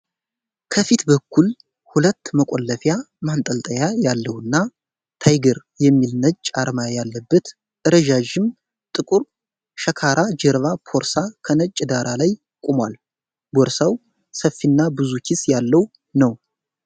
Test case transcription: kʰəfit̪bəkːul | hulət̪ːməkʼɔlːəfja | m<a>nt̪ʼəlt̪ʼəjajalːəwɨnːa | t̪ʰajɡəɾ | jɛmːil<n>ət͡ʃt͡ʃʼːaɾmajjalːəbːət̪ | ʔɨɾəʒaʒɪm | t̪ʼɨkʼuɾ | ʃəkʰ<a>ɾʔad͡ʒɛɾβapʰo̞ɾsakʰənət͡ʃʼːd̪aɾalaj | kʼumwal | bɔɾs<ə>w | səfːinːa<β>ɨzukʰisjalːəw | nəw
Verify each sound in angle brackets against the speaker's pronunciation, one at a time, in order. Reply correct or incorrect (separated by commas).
correct, correct, correct, incorrect, incorrect